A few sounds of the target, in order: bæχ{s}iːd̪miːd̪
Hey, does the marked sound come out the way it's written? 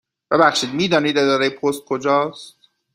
no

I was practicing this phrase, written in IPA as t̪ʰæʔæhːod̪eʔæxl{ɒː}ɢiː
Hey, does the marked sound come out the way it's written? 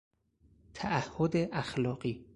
yes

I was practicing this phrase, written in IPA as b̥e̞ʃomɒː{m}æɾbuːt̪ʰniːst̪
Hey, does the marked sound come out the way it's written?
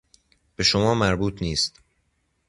yes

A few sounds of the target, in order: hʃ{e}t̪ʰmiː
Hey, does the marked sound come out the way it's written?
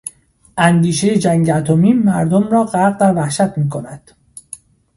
no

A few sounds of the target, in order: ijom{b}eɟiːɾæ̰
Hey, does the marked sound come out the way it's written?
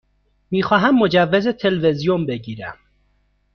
yes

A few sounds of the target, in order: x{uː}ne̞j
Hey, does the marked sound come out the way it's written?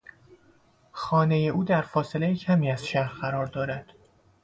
no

